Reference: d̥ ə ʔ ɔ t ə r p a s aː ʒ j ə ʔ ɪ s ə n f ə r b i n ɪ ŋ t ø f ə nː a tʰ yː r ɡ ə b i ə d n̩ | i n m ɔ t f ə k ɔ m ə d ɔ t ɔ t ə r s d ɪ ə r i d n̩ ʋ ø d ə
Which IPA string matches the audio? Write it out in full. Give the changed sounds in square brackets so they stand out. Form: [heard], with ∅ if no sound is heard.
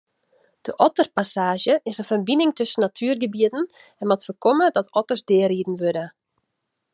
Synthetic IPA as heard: d̥ ə ʔ ɔ t ə r p a s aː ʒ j ə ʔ ɪ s ə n f ə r b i n ɪ ŋ t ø [s] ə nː a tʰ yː r ɡ ə b i ə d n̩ | [ɛ] n m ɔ t f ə k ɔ m ə d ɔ t ɔ t ə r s d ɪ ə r i d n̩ ʋ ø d ə